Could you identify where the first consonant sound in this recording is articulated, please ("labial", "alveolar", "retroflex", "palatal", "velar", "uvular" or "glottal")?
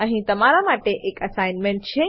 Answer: glottal